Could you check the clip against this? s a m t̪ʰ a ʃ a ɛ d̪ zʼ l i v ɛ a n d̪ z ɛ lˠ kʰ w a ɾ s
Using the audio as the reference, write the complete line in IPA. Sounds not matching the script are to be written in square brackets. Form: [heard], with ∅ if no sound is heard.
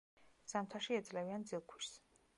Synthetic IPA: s a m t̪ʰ a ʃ [i] ɛ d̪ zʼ l [ɛ] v [i] a n d̪ z [i] lˠ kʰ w [i] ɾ s